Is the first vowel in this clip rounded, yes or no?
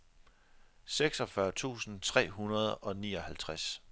no